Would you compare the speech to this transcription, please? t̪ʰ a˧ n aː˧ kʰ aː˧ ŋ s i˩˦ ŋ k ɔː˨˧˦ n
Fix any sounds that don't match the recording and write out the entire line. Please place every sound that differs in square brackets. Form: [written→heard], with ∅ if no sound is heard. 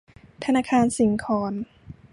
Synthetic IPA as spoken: t̪ʰ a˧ n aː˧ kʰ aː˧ [ŋ→n] s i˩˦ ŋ [k→kʰ] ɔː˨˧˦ n